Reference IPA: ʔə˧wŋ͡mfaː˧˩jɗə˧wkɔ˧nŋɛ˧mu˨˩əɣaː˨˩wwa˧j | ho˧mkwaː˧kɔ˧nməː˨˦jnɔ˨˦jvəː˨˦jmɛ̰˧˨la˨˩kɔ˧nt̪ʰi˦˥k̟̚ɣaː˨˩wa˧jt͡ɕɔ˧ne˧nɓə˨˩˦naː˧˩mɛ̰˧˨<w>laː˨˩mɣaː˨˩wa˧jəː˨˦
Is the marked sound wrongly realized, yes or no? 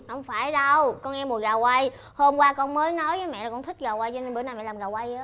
yes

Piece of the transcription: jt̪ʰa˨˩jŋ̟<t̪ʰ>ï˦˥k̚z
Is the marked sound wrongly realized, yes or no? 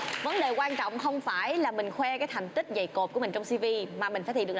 yes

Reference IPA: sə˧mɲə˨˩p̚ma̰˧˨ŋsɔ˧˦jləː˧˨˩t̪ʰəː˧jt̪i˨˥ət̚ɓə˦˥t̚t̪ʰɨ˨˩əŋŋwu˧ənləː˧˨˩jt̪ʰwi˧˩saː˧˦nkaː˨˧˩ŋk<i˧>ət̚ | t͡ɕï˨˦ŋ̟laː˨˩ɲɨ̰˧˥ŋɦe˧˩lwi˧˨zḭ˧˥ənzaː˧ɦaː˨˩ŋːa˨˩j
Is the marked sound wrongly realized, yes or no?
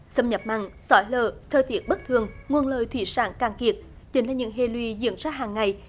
yes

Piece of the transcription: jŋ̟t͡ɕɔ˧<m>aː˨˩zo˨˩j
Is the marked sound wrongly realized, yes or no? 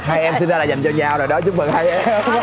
yes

